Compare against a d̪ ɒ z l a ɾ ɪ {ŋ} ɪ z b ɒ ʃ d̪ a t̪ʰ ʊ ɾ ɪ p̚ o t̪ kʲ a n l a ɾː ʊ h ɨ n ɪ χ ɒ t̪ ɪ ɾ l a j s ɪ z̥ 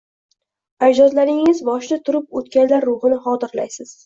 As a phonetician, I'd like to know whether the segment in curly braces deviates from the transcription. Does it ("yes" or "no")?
no